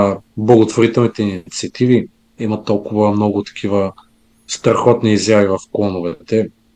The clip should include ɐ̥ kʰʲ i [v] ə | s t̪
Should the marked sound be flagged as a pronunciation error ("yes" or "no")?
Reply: no